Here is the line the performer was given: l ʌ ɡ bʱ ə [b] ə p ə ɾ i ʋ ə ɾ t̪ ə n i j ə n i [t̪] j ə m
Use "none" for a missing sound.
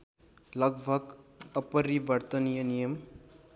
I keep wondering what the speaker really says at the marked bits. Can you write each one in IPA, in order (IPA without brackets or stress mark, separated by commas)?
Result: ɡ, none